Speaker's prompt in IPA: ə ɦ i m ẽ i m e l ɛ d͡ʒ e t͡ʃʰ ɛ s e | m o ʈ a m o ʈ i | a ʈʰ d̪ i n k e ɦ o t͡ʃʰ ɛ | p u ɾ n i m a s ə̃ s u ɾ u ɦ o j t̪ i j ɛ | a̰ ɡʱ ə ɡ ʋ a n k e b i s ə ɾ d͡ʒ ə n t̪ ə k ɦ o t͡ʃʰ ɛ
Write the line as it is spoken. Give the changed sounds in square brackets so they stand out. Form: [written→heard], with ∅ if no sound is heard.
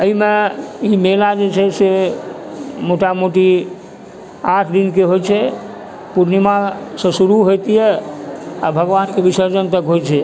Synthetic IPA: ə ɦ i m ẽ i m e l [ɛ→a] d͡ʒ e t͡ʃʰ ɛ s e | m o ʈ a m o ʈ i | a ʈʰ d̪ i n k e ɦ o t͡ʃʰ ɛ | p u ɾ n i m a s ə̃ s u ɾ u ɦ o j t̪ i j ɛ | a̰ [ɡʱ→bʱ] ə ɡ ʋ a n k e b i s ə ɾ d͡ʒ ə n t̪ ə k ɦ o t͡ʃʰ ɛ